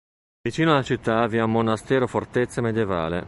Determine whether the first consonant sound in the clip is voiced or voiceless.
voiced